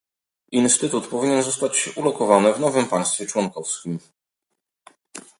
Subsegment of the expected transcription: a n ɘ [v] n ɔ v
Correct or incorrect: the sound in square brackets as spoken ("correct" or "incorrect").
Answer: correct